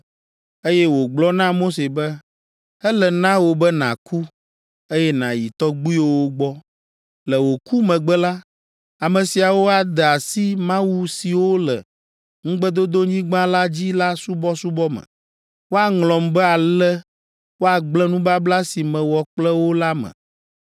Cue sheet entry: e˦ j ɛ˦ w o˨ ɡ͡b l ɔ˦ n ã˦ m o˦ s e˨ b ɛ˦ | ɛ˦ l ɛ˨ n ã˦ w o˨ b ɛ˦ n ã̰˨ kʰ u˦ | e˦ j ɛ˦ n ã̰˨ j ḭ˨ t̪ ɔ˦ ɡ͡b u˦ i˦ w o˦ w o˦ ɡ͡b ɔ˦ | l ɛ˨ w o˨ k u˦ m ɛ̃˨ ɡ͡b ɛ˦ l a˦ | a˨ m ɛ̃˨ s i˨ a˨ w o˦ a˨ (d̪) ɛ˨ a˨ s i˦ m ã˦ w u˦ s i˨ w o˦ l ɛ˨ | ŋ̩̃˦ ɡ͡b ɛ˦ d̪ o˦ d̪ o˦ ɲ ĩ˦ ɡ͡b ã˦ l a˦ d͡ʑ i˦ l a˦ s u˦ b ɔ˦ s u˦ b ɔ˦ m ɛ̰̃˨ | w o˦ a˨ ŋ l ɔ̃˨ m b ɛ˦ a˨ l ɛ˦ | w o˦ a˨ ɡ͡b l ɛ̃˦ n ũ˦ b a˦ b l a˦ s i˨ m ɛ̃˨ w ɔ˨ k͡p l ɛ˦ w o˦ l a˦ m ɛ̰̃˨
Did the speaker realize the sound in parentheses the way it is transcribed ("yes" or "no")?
yes